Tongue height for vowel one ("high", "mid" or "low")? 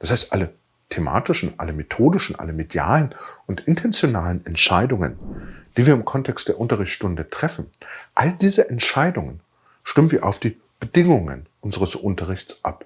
low